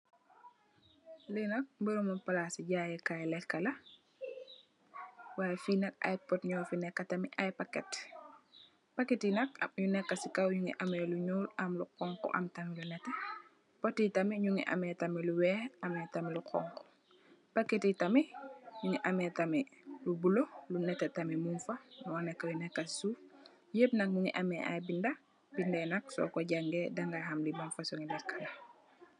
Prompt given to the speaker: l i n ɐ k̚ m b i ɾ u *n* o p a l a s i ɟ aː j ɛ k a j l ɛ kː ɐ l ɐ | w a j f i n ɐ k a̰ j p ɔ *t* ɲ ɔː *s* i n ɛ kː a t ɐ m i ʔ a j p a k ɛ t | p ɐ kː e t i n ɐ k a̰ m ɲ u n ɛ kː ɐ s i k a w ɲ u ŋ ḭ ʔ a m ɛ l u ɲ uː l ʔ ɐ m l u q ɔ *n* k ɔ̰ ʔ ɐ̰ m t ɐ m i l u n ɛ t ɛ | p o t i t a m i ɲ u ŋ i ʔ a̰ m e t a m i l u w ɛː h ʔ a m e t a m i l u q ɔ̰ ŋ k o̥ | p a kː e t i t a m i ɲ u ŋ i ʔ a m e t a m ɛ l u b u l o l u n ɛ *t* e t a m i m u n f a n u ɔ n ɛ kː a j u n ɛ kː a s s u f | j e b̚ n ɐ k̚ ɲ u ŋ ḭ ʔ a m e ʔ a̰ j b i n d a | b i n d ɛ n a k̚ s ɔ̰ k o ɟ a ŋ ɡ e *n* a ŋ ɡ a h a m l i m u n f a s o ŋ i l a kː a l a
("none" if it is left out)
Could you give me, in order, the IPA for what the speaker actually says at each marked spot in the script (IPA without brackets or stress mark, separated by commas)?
m, t, f, ŋ, t, d